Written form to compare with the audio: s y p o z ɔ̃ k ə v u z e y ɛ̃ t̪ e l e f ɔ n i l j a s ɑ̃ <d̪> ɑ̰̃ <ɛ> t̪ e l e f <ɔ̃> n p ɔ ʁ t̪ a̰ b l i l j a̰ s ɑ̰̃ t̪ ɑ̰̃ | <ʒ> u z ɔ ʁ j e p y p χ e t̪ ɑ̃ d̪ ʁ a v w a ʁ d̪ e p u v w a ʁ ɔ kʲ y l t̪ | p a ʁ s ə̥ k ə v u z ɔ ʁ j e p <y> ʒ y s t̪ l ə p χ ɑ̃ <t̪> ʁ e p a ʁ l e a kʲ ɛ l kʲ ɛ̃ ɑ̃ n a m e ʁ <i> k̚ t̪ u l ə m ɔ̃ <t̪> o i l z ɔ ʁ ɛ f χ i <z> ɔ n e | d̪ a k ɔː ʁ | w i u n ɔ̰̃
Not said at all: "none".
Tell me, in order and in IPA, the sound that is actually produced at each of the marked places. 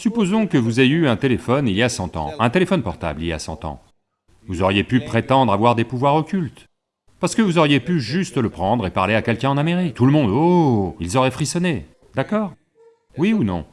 t̪, ɛ̃, ɔ, v, y, d̪, i, d̪, s

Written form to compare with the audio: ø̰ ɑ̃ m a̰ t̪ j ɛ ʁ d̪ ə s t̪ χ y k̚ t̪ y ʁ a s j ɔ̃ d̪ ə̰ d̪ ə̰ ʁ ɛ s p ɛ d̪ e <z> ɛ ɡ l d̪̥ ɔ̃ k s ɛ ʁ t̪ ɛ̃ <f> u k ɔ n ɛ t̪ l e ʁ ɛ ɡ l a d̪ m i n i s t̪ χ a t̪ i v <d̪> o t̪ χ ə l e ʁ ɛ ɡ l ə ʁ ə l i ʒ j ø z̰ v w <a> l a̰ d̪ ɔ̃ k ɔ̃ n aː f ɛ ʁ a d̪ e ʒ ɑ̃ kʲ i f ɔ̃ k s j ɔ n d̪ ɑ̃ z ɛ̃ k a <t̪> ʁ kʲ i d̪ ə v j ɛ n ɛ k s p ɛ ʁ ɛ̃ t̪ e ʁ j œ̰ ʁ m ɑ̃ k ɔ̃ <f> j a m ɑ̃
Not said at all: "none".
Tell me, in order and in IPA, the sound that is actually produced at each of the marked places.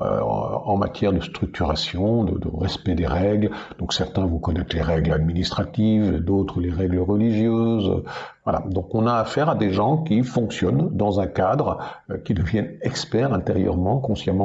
ʁ, v, d̪, a, d̪, s

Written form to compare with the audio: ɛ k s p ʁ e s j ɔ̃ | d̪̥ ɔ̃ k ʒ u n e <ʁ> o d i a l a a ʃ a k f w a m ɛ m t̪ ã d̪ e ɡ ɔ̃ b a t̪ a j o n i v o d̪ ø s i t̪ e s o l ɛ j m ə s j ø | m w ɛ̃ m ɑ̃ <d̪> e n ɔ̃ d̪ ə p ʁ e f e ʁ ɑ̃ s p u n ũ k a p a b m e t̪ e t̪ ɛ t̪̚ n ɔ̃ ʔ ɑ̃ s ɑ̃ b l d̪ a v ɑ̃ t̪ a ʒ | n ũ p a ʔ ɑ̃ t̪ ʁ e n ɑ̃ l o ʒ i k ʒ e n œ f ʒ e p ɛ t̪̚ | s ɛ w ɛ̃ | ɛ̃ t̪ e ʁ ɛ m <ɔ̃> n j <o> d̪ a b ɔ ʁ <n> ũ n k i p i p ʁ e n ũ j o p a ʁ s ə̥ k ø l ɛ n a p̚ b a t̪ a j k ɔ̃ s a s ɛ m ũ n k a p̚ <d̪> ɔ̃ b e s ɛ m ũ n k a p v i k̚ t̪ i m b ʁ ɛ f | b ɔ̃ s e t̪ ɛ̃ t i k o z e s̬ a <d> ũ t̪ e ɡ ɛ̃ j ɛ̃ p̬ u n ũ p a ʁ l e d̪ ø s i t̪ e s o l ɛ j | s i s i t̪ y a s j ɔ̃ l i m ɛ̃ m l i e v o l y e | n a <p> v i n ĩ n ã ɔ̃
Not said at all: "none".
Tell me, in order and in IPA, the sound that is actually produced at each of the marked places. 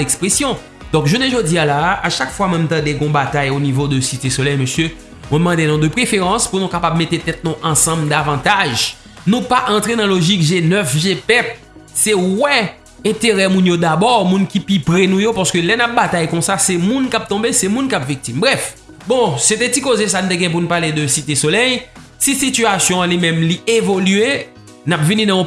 ʒ, d̪, ũ, o, m, t̪, n, p

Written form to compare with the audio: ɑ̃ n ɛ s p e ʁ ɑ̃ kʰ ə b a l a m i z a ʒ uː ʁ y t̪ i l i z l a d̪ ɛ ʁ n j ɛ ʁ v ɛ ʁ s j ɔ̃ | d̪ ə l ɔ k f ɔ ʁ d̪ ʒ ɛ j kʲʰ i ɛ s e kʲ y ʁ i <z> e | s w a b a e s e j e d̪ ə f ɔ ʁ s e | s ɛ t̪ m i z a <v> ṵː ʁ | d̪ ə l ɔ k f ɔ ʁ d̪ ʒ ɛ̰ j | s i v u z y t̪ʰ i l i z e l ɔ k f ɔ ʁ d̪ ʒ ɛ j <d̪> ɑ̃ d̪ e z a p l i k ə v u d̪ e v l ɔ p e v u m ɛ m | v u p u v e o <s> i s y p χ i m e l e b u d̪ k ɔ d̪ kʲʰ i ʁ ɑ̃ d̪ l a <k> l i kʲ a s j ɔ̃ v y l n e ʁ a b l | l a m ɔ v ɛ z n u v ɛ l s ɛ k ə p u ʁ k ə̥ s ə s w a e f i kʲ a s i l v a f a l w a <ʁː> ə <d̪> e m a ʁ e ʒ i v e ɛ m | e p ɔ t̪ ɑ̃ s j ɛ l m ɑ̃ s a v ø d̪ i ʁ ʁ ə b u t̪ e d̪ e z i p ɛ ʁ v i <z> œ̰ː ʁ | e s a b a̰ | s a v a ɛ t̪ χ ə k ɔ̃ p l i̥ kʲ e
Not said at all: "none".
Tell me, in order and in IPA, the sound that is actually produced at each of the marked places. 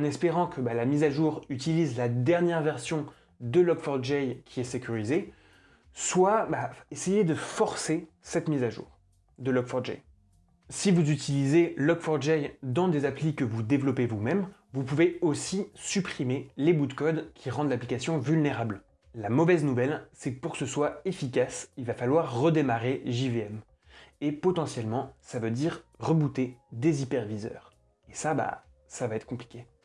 z, ʒ, d̪, s, p, ʁː, d̪, z

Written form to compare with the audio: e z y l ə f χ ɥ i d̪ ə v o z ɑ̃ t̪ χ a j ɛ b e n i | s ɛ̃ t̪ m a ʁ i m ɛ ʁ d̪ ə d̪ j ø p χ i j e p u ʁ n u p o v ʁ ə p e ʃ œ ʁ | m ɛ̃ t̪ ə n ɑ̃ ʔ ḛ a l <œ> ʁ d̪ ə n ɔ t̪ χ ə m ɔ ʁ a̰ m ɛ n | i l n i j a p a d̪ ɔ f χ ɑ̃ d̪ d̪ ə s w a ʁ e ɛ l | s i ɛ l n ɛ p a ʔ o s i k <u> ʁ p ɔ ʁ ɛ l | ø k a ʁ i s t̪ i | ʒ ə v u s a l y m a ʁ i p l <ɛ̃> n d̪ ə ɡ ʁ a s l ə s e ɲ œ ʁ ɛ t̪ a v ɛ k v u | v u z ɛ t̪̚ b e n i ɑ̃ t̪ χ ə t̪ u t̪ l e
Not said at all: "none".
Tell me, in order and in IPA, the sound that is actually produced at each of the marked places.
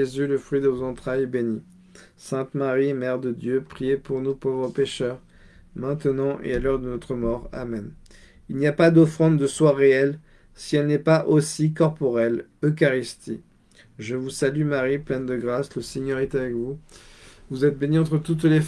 œ, ɔ, ɛ

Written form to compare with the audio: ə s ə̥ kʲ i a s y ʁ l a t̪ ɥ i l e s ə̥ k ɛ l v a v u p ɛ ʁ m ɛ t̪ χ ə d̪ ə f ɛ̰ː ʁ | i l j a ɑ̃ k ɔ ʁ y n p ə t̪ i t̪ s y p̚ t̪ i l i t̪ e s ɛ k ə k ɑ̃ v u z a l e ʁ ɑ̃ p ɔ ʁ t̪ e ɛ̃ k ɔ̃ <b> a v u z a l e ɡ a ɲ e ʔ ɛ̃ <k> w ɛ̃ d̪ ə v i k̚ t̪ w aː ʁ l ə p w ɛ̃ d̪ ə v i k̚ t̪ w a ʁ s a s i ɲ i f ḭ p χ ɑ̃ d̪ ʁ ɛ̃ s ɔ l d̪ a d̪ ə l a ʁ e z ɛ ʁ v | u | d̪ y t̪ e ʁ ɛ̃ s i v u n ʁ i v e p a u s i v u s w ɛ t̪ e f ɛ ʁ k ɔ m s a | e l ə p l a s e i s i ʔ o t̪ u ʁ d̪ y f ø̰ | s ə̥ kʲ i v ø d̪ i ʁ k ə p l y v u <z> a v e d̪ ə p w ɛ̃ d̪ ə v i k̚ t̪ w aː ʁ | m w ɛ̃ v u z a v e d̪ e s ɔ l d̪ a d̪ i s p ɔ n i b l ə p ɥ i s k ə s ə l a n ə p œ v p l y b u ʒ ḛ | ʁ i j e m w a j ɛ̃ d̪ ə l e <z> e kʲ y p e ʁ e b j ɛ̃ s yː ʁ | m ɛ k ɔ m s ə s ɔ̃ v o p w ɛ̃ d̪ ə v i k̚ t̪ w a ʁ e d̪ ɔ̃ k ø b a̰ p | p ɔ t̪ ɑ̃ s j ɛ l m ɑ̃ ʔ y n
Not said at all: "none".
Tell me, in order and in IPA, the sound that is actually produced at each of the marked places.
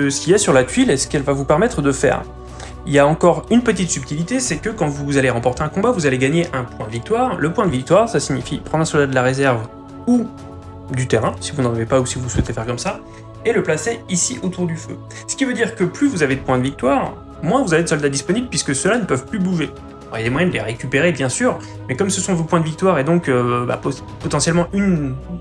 b, p, z, ʁ

